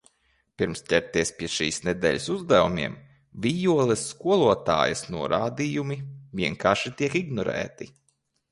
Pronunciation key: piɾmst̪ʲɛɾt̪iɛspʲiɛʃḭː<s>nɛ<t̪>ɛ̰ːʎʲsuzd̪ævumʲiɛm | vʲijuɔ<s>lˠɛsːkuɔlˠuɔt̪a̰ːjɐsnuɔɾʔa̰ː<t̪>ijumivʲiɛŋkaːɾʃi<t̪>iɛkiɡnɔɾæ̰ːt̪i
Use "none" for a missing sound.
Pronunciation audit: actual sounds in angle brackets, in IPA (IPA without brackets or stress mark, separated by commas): s, d̪, none, d̪, t̪